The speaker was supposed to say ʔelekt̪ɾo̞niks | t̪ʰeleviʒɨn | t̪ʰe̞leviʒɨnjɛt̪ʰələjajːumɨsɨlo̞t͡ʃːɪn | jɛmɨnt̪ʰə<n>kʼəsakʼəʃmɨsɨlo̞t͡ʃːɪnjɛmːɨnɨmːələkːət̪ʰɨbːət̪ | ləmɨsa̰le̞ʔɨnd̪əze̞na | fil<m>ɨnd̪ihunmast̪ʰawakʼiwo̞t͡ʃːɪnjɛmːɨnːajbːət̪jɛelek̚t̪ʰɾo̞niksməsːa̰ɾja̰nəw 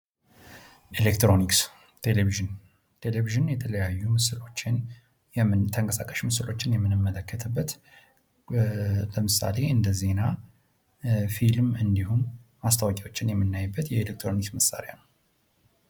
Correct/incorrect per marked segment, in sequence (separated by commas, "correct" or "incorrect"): incorrect, correct